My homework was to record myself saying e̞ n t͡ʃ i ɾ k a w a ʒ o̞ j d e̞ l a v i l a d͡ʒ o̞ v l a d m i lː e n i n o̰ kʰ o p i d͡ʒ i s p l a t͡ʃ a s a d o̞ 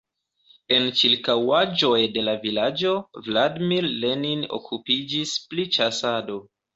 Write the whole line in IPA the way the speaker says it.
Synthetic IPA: e̞ n t͡ʃ i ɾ k a w a d͡ʒ o̞ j d e̞ l a v i l a d͡ʒ o̞ v l a d m i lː e n i n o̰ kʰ u p i d͡ʒ i s p l i t͡ʃ a s a d o̞